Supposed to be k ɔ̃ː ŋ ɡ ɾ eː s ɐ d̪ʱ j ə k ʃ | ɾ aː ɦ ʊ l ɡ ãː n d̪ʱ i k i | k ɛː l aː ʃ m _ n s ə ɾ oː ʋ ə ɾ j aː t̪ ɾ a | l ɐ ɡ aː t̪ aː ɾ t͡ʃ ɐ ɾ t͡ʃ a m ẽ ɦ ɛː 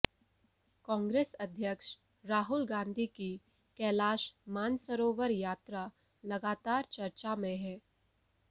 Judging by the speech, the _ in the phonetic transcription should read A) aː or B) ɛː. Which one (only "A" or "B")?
A